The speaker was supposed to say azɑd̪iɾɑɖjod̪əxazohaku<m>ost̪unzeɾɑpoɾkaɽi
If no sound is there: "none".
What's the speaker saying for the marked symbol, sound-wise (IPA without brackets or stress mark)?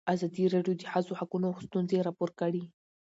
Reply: n